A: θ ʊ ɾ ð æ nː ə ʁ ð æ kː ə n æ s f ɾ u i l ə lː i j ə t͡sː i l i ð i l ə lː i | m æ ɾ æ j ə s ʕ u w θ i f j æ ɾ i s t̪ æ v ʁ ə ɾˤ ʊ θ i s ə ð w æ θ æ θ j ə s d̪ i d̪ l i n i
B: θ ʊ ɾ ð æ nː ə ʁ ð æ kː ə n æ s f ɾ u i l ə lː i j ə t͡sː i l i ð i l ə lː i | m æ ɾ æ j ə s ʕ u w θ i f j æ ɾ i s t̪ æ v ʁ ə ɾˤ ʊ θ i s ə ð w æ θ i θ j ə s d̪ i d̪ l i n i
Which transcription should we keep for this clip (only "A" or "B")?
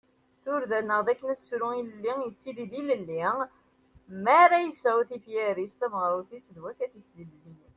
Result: A